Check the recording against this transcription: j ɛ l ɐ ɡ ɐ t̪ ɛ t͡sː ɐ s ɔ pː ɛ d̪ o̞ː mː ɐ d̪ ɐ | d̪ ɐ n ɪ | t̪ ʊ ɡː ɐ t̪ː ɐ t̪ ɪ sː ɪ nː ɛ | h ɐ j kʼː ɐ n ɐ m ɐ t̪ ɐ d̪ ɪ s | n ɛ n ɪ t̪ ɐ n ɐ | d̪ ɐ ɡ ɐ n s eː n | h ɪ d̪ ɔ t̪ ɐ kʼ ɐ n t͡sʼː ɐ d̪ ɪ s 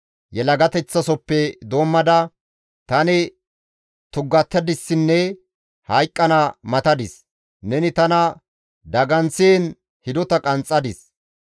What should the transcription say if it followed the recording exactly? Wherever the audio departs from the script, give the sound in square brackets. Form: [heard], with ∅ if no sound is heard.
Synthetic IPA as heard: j ɛ l ɐ ɡ ɐ t̪ ɛ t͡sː ɐ s ɔ pː ɛ d̪ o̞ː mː ɐ d̪ ɐ | [t̪] ɐ n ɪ | t̪ ʊ ɡː ɐ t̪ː ɐ [d̪] ɪ sː ɪ nː ɛ | h ɐ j kʼː ɐ n ɐ m ɐ t̪ ɐ d̪ ɪ s | n ɛ n ɪ t̪ ɐ n ɐ | d̪ ɐ ɡ ɐ n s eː n | h ɪ d̪ ɔ t̪ ɐ kʼ ɐ n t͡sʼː ɐ d̪ ɪ s